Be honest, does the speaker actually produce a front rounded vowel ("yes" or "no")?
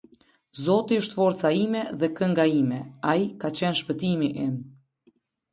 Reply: no